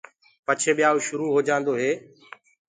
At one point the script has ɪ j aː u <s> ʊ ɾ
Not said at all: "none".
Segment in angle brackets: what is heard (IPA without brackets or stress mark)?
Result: ʃ